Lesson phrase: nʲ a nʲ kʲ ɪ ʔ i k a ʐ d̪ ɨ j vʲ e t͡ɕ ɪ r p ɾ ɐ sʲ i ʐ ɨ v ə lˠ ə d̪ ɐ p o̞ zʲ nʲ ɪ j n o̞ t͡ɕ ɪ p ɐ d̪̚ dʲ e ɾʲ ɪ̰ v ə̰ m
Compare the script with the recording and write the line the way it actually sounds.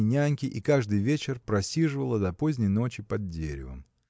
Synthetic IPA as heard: nʲ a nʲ kʲ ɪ ʔ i k a ʐ d̪ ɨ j vʲ e t͡ɕ ɪ r p ɾ ɐ sʲ i ʐ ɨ v ə lˠ ə d̪ ɐ p o̞ zʲ nʲ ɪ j n o̞ t͡ɕ ɪ p ɐ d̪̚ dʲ e ɾʲ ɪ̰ v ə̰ m

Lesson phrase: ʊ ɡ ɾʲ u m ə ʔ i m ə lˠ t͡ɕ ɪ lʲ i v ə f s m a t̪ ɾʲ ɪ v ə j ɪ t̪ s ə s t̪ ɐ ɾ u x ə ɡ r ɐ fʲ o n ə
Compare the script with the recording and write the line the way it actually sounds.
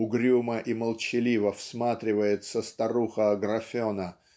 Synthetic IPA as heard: ʊ ɡ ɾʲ u m ə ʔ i m ə lˠ t͡ɕ ɪ lʲ i v ə f s m a t̪ ɾʲ ɪ v ə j ɪ t̪ s ə s t̪ ɐ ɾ u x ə ɡ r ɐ fʲ o n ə

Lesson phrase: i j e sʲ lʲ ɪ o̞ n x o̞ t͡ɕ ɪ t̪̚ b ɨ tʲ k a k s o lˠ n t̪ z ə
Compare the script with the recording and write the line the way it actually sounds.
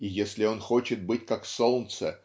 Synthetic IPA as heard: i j e sʲ lʲ ɪ o̞ n x o̞ t͡ɕ ɪ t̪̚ b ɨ tʲ k a k s o lˠ n t̪ s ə

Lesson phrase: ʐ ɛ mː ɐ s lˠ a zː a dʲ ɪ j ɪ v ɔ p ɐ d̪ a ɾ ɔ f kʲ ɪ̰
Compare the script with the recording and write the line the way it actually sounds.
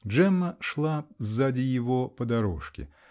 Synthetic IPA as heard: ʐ ɛ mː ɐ ʂ lˠ a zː a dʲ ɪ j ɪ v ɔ p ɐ d̪ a ɾ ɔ ʂ kʲ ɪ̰

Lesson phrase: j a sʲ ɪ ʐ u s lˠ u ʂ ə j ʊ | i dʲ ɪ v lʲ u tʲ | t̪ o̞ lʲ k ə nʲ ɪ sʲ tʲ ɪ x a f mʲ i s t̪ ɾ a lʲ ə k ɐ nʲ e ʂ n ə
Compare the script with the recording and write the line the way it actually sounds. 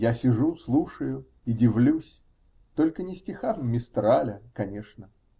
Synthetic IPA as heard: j a sʲ ɪ ʐ u s lˠ u ʂ ə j ʊ | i dʲ ɪ v lʲ u sʲ | t̪ o̞ lʲ k ə nʲ ɪ sʲ tʲ ɪ x a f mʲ ɪ s t̪ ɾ a lʲ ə k ɐ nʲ e ʂ n ə

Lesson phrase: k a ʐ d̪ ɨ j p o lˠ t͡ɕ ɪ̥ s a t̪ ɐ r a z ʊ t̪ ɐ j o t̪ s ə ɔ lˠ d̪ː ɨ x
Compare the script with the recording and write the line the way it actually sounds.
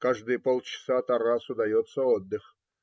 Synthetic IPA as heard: k a ʐ d̪ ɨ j p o lˠ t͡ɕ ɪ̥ s a t̪ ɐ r a s ʊ d̪ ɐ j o t̪ s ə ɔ d̪ː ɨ x

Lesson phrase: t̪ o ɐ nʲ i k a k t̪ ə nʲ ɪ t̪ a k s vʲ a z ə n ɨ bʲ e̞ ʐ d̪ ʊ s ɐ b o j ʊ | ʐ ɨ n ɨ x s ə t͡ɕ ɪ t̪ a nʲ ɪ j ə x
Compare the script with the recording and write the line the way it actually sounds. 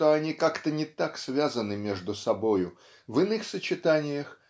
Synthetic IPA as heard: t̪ o ɐ nʲ i k a k t̪ ə nʲ ɪ t̪ a k s vʲ a z ə n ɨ mʲ e̞ ʐ d̪ ʊ s ɐ b o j ʊ | v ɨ n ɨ x s ə t͡ɕ ɪ t̪ a nʲ ɪ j ə x

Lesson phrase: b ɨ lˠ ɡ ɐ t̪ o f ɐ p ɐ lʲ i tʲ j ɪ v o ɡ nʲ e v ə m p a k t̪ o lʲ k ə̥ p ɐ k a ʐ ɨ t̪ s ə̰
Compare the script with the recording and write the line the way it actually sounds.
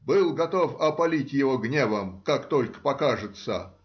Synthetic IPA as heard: b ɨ lˠ ɡ ɐ t̪ o f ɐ p ɐ lʲ i tʲ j ɪ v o ɡ nʲ e v ə m k a k t̪ o lʲ k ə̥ p ɐ k a ʐ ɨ t̪ s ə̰

